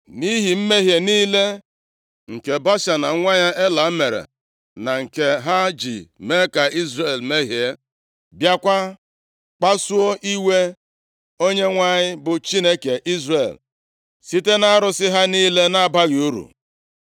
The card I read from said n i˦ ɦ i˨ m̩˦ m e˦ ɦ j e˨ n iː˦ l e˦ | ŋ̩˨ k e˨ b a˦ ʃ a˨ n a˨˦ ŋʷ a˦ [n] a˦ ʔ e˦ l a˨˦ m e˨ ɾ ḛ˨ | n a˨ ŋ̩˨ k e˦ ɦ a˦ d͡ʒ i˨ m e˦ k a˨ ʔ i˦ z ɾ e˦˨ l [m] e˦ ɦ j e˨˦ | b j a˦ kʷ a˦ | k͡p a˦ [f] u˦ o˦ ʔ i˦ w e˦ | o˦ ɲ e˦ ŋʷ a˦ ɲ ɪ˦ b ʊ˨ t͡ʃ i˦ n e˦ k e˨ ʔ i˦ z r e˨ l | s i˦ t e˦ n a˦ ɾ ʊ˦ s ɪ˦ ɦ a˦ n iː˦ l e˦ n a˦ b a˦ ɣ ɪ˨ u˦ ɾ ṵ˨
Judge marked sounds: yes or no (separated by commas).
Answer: no, yes, no